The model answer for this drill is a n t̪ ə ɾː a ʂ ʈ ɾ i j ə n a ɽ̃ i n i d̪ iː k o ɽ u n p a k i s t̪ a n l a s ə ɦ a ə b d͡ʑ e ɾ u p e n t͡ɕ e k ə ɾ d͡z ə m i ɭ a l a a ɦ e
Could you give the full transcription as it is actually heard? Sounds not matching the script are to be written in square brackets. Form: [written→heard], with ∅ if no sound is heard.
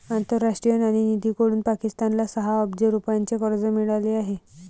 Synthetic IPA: a n t̪ ə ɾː a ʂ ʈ ɾ i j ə n a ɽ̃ i n i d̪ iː k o ɽ [u→uː] n p a k i s t̪ a n l a s ə ɦ a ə b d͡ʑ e ɾ u p [e→a] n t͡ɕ e k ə ɾ d͡z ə m i ɭ a l [a→e] a ɦ e